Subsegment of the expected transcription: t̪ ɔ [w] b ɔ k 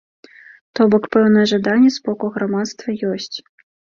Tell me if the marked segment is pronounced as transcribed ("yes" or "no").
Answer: no